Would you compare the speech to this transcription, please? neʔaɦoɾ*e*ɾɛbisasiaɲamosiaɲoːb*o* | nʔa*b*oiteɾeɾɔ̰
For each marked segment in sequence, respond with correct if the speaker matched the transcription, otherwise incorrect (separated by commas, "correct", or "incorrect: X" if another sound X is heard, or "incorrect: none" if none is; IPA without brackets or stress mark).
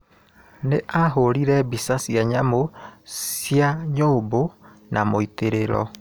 incorrect: i, correct, incorrect: m